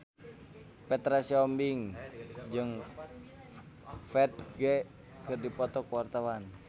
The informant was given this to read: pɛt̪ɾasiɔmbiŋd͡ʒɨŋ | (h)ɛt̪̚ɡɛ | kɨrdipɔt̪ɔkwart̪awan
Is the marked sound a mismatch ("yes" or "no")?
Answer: yes